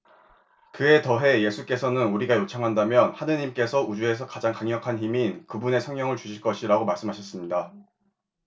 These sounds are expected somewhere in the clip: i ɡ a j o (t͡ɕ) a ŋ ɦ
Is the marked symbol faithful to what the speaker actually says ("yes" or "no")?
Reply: no